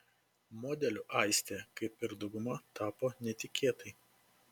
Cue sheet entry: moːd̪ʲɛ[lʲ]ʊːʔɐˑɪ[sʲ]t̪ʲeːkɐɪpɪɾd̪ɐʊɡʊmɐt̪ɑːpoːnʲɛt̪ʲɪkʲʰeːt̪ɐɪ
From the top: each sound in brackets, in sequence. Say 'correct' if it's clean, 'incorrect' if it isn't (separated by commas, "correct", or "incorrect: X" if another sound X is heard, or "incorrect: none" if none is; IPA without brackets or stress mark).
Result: correct, correct